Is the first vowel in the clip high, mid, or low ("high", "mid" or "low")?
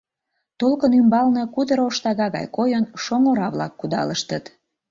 mid